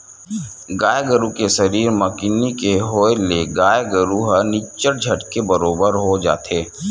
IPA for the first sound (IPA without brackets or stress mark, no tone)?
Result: ɡ